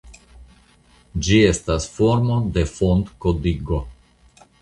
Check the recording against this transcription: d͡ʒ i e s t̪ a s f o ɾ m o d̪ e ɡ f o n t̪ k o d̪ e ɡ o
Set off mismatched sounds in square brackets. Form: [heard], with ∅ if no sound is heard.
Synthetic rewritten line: d͡ʒ i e s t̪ a s f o ɾ m o d̪ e [∅] f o n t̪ k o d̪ [i] ɡ o